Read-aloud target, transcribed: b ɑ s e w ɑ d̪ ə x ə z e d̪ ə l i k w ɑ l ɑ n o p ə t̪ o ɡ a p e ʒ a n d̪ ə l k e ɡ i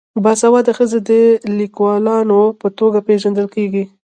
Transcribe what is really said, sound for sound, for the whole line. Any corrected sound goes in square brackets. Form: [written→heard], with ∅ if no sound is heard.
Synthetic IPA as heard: b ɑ s [e→a] w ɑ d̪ ə x ə z e d̪ ə l i k w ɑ l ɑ n o p ə t̪ o ɡ a p e ʒ a n d̪ ə l k e ɡ i